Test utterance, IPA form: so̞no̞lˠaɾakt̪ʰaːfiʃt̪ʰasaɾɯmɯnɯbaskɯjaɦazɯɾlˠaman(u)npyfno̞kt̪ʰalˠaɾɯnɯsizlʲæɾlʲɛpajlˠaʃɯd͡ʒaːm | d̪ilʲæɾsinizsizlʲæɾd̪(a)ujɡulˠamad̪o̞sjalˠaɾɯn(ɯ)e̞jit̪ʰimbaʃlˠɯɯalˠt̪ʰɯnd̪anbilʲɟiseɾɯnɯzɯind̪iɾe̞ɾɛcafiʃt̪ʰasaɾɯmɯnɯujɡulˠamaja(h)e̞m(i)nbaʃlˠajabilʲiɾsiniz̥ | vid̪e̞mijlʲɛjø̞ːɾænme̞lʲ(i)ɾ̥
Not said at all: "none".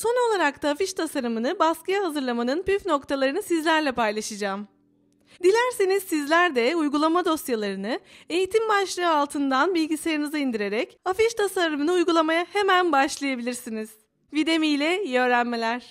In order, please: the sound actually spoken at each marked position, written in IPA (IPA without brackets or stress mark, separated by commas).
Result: ɯ, ɛ, ɯ, h, æ, æ